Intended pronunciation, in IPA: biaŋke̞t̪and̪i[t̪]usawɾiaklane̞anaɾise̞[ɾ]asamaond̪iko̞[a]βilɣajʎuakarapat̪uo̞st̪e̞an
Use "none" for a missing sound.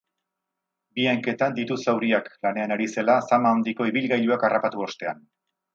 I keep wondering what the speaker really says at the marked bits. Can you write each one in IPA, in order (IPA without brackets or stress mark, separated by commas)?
t̪, l, i